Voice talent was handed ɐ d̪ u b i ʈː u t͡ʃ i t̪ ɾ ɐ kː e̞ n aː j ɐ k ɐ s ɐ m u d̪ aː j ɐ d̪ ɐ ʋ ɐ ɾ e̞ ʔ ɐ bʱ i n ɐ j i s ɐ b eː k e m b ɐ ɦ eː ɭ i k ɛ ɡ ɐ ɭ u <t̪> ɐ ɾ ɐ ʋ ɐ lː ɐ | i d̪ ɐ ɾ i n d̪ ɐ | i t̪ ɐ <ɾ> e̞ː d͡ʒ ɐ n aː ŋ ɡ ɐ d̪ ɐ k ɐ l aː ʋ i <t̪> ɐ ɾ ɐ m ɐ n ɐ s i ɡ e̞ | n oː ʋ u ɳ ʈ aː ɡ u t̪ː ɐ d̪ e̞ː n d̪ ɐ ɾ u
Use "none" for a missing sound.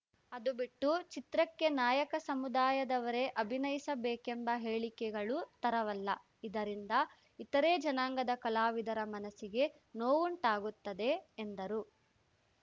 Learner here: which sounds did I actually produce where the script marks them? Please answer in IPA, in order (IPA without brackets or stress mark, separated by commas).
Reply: t̪, ɾ, d̪